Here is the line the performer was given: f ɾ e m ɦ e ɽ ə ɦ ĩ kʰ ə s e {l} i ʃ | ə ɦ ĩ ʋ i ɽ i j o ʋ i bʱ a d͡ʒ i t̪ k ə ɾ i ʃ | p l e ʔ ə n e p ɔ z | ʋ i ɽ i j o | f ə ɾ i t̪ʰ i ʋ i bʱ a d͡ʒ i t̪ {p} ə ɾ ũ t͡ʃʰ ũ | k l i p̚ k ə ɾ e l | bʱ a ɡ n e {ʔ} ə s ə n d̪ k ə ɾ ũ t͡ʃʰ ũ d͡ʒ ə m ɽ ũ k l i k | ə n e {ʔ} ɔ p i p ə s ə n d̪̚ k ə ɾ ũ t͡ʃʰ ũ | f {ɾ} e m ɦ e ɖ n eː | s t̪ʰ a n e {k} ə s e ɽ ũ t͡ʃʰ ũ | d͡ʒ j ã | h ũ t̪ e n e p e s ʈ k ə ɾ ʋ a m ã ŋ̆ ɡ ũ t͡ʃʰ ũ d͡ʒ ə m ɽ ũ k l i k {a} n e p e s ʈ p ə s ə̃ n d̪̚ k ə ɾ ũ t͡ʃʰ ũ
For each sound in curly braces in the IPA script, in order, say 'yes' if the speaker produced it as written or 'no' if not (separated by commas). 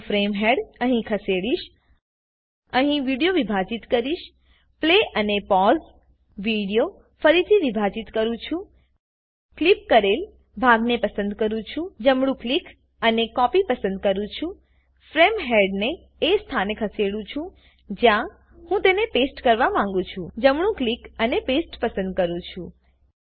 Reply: no, no, no, no, yes, no, no